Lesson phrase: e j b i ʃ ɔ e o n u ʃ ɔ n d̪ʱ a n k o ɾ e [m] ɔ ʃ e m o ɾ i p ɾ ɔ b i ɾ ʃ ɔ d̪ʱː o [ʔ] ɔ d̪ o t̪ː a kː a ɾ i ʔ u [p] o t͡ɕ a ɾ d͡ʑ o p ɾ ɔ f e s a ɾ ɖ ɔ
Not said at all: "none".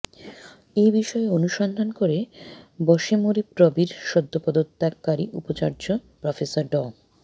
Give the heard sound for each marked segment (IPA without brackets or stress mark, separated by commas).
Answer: b, p, p